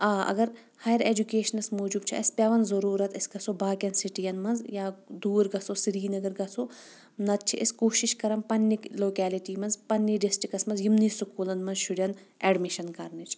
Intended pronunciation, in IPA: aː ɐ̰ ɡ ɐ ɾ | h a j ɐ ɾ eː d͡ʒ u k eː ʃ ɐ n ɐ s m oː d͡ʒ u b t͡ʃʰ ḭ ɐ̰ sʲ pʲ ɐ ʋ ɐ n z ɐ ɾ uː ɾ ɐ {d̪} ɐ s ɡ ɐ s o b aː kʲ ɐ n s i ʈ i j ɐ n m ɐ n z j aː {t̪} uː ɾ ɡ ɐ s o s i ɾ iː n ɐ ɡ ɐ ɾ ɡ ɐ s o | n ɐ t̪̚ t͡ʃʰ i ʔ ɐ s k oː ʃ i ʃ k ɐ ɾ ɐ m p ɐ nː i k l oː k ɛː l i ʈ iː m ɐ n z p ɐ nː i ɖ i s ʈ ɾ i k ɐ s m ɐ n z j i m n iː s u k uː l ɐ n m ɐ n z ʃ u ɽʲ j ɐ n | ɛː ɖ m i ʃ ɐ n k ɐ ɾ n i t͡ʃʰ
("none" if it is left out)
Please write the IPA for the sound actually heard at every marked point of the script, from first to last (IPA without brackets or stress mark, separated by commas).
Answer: t̪, d̪